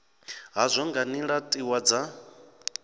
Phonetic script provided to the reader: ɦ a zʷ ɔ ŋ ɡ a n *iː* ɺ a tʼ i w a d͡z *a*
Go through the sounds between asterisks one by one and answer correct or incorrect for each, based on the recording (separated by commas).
incorrect, correct